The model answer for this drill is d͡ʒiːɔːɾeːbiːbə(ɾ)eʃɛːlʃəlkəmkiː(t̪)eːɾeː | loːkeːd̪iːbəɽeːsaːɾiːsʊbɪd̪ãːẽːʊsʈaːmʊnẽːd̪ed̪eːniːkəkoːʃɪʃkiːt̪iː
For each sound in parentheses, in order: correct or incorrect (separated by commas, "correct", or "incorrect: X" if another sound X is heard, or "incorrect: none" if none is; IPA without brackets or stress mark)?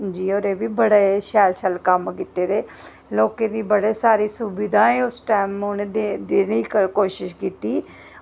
incorrect: ɽ, correct